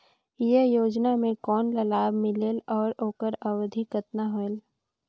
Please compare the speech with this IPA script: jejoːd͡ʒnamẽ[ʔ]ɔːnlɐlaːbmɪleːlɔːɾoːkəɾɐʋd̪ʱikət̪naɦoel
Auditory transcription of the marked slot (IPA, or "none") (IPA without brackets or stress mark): k